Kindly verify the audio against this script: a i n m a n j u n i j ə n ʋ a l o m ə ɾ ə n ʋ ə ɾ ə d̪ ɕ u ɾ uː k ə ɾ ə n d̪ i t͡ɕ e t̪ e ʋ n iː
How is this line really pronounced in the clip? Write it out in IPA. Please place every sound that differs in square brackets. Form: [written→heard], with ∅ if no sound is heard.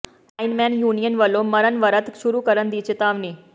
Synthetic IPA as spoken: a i n m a n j u n i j ə n ʋ [a→ə] l o m ə ɾ ə n ʋ ə ɾ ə [d̪→t̪] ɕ u ɾ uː k ə ɾ ə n d̪ i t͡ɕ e t̪ [e→a] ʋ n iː